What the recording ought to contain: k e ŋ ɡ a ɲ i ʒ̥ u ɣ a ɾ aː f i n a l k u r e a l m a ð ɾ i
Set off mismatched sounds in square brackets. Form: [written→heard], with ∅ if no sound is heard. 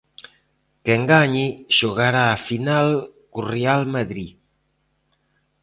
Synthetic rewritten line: k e ŋ ɡ a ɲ i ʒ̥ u ɣ a ɾ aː f i n a l k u r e a l m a ð ɾ i